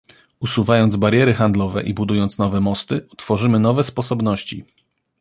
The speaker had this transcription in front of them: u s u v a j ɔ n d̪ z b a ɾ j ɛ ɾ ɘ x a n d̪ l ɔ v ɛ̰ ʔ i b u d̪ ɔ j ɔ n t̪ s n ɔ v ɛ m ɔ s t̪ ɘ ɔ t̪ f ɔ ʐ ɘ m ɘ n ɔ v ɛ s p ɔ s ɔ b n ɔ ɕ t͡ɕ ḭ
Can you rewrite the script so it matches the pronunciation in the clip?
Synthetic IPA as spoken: u s u v a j ɔ n d̪ z b a ɾ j ɛ ɾ ɘ x a n d̪ l ɔ v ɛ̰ ʔ i b u d̪ u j ɔ n t̪ s n ɔ v ɛ m ɔ s t̪ ɘ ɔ t̪ f ɔ ʐ ɘ m ɘ n ɔ v ɛ s p ɔ s ɔ b n ɔ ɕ t͡ɕ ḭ